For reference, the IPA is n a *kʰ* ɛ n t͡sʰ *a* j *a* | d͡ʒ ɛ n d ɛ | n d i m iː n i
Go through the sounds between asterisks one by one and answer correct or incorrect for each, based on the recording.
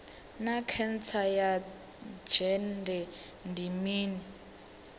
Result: correct, correct, correct

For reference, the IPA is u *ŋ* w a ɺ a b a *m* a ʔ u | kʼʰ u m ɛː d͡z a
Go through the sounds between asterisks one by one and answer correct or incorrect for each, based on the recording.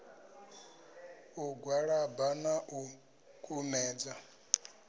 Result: incorrect, incorrect

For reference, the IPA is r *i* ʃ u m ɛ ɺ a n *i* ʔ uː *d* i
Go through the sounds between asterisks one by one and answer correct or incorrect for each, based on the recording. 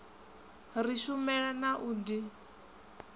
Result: correct, incorrect, correct

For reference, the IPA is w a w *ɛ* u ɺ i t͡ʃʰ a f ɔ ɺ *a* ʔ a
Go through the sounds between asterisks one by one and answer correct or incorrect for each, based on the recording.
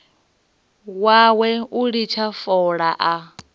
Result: correct, correct

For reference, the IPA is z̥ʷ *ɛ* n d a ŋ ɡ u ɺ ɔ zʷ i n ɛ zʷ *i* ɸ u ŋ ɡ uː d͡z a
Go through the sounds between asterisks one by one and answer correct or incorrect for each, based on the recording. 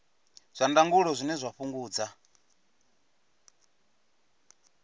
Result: incorrect, incorrect

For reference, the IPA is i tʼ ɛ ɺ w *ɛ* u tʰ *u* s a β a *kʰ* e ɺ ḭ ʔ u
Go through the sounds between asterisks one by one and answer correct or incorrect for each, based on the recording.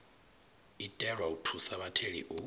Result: incorrect, correct, incorrect

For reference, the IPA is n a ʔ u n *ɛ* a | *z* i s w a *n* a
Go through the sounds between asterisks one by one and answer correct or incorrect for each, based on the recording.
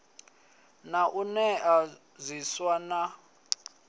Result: correct, correct, correct

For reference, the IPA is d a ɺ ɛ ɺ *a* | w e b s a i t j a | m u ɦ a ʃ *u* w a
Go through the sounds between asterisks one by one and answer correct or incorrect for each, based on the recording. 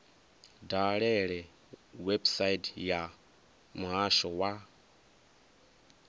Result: incorrect, incorrect

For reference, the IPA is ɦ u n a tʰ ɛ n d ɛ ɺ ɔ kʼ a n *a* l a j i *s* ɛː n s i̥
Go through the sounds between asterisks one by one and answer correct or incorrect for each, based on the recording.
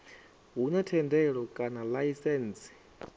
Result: correct, correct

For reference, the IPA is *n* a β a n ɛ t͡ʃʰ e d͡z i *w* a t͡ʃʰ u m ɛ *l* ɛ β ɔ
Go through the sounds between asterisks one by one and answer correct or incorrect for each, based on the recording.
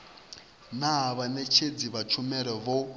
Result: correct, incorrect, incorrect

